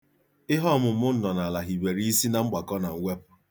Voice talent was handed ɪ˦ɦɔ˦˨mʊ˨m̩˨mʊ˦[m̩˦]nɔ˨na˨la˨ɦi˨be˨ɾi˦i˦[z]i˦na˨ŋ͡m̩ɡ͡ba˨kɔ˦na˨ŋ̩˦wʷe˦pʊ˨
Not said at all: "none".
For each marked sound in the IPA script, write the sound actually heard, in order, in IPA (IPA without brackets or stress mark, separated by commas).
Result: n̩˦, s